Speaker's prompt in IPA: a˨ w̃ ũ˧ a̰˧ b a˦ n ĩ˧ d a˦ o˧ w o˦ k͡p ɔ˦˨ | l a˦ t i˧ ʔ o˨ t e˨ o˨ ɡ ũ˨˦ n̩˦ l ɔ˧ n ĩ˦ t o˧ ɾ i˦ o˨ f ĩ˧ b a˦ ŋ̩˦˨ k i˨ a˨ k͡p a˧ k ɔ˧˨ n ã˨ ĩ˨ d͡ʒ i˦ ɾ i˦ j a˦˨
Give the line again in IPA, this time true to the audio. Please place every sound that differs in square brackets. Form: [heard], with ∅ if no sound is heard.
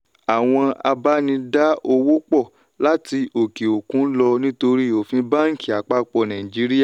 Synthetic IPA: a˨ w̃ [ɔ̃˧] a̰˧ b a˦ n ĩ˧ d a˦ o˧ w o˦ k͡p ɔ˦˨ | l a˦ t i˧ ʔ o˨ [k] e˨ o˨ [k] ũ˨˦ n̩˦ l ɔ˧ n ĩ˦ t o˧ ɾ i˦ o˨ f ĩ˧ b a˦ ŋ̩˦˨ k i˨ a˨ k͡p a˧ [k͡p] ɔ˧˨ n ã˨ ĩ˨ d͡ʒ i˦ ɾ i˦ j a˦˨